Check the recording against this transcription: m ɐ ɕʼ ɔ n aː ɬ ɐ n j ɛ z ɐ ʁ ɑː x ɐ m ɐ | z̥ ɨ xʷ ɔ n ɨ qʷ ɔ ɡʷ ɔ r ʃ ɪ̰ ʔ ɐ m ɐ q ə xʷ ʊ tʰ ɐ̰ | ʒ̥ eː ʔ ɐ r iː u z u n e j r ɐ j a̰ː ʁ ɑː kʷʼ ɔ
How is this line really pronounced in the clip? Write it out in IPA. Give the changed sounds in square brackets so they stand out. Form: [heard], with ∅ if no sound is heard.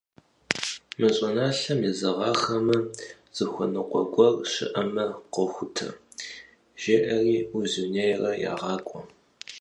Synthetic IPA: m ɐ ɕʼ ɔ n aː ɬ ɐ [m] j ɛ z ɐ ʁ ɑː x ɐ m ɐ | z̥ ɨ xʷ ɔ n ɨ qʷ ɔ ɡʷ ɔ r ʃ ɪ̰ ʔ ɐ m ɐ q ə xʷ ʊ tʰ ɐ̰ | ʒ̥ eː ʔ ɐ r iː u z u n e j r ɐ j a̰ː ʁ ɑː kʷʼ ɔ